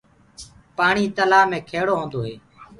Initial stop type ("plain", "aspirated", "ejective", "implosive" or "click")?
plain